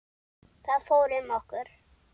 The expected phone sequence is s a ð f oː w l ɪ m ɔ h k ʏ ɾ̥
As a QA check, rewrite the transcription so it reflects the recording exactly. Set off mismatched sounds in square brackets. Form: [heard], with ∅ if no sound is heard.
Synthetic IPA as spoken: [θ] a ð f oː w [ɾ] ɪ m ɔ h k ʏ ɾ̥